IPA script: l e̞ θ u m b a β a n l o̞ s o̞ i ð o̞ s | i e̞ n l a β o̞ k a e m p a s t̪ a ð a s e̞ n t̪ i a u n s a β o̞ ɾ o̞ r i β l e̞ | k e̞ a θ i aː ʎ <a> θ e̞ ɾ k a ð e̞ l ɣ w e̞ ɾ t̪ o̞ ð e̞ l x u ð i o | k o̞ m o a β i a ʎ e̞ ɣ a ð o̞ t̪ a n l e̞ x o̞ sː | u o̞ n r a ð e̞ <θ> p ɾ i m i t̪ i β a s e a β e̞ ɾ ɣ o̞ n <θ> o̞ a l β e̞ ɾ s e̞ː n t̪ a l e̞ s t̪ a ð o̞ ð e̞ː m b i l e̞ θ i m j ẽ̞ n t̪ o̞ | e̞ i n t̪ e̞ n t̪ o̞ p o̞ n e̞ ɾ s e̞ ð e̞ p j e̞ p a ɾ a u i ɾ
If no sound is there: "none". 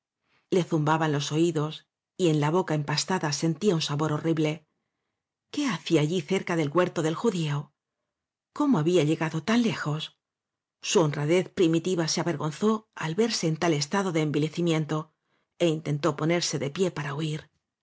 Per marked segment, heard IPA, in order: i, θ, θ

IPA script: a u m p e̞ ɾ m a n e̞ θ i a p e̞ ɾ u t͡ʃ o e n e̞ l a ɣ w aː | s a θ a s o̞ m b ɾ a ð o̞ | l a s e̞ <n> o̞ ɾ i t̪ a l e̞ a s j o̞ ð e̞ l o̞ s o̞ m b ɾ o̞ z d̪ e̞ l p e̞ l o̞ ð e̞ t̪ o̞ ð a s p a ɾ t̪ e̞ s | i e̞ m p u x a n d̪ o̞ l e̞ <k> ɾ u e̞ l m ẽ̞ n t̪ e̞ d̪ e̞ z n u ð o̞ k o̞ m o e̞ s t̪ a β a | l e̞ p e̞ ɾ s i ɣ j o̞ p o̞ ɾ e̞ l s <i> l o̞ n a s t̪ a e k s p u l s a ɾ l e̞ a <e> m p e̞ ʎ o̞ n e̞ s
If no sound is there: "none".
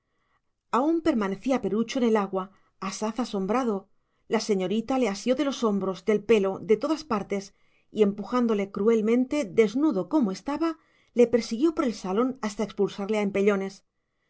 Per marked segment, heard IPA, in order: ɲ, k, a, e

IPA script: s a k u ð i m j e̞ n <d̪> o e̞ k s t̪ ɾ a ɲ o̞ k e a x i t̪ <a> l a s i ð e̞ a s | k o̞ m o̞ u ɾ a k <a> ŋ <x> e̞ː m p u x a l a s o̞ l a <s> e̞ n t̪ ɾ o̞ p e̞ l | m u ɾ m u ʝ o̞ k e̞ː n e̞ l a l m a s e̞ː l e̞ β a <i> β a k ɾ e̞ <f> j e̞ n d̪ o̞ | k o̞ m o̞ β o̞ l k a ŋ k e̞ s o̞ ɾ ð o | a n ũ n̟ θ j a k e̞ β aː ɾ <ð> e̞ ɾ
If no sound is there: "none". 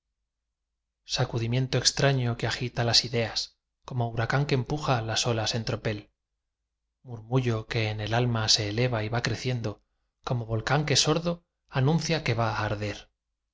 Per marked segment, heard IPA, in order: t̪, a, a, k, s, i, θ, ð

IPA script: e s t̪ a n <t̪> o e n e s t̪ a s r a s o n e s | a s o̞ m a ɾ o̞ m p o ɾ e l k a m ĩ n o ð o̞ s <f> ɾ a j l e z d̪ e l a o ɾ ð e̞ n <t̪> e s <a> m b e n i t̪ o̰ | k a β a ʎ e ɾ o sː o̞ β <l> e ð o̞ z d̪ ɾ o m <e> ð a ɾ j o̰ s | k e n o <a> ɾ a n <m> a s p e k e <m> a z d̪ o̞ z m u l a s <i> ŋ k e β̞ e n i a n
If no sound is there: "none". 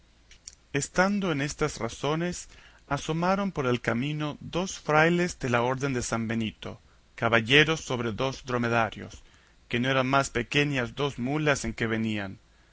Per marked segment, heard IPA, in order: d̪, f, d̪, a, ɾ, e, e, m, ɲ, e

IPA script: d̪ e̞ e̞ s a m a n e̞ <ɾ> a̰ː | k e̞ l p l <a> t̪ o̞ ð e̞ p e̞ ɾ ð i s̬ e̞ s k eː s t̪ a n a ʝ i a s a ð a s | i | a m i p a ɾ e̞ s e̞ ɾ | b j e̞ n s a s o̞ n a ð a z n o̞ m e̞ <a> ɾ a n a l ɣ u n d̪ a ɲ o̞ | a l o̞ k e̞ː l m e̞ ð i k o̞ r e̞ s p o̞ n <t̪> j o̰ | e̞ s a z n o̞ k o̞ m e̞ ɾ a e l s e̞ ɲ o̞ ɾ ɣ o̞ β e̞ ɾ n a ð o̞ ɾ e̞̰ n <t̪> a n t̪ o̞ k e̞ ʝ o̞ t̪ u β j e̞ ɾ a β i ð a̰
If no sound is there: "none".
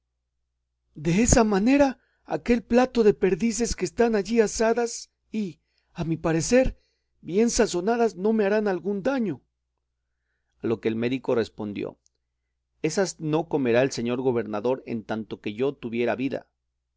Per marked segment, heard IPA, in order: ɾ, a, a, d̪, t̪

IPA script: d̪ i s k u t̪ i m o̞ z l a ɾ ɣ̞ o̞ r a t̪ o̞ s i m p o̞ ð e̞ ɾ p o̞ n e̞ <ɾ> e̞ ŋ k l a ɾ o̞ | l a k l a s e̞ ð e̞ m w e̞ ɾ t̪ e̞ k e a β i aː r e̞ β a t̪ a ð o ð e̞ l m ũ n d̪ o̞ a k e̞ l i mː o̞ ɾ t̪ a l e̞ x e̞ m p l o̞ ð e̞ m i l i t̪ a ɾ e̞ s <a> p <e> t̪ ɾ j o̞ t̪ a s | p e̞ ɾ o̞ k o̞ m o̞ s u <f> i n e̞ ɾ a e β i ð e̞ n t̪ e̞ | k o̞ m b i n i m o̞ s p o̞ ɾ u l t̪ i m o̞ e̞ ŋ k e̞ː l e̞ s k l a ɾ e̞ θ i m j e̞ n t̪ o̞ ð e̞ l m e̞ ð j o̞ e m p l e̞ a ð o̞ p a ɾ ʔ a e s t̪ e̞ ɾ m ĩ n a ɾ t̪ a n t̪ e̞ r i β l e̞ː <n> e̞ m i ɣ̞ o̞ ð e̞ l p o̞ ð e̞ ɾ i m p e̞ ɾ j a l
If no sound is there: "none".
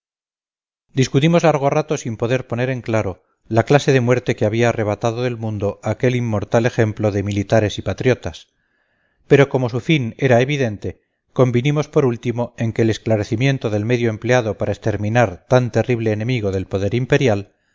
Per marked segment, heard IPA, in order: ɾ, i, a, f, n

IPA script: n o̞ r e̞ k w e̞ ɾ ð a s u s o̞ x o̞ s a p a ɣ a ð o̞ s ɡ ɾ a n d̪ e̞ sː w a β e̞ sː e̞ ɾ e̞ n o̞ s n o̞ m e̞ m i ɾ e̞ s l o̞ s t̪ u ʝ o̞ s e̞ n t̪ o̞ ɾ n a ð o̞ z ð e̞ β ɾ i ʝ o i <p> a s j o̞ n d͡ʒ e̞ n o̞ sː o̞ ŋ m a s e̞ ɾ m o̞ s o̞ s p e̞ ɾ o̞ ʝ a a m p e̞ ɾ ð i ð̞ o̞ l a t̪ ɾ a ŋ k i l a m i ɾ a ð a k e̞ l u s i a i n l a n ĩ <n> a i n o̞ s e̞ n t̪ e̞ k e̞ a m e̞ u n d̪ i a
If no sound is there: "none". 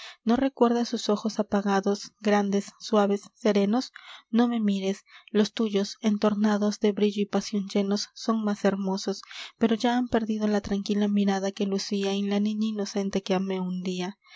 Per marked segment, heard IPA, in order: p, ɲ

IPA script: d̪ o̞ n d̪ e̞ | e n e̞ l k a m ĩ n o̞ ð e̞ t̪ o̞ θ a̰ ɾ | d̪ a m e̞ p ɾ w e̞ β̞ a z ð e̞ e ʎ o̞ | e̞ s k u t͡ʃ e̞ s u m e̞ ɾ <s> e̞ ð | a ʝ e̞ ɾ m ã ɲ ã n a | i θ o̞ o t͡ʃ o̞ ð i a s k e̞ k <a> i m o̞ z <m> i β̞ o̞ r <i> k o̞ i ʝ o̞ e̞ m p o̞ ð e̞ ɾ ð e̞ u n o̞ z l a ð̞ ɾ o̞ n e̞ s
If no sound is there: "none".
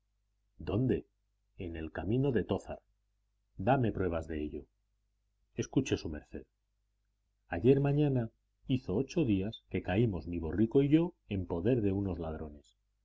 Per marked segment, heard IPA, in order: θ, a, m, i

